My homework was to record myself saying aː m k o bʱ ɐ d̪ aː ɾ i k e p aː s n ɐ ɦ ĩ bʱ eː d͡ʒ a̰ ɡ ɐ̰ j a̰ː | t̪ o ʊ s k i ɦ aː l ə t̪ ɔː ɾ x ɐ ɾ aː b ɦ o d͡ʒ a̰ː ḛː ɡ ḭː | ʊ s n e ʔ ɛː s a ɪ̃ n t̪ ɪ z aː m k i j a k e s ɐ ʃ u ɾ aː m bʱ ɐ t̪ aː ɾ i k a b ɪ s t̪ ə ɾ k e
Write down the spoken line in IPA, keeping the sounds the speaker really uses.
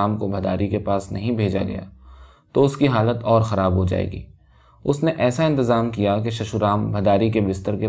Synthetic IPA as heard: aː m k o bʱ ɐ d̪ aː ɾ i k e p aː s n ɐ ɦ ĩ bʱ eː d͡ʒ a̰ ɡ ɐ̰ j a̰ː | t̪ o ʊ s k i ɦ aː l ə t̪ ɔː ɾ x ɐ ɾ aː b ɦ o d͡ʒ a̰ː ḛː ɡ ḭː | ʊ s n e ʔ ɛː s a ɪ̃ n t̪ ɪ z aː m k i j a k e ʃ ɐ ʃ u ɾ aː m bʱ ɐ d̪ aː ɾ i k e b ɪ s t̪ ə ɾ k e